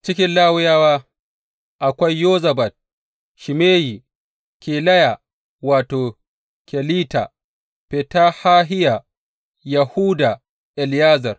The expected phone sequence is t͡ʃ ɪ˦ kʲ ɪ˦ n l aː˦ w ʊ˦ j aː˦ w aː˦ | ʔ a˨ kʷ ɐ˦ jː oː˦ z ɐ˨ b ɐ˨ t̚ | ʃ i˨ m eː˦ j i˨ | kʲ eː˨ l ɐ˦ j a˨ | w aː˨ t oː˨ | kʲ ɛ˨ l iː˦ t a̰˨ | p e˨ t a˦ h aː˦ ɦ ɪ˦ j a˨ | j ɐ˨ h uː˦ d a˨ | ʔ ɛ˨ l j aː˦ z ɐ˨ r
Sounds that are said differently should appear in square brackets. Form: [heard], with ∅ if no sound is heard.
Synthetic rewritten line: t͡ʃ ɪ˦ kʲ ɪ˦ n l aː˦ w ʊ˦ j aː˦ w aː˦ | ʔ a˨ kʷ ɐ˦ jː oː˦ z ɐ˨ b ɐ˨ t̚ | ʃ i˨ m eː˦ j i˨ | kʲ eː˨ l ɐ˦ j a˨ | w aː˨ t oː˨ | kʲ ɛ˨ l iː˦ t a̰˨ | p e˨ t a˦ h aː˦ ɦ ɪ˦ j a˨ | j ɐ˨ h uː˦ d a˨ | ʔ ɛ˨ l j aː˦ z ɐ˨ r